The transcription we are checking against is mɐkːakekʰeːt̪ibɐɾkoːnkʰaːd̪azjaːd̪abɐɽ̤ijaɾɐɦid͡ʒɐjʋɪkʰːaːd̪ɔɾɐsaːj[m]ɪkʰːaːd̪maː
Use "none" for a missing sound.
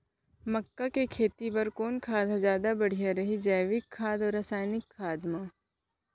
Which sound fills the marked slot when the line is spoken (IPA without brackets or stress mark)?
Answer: n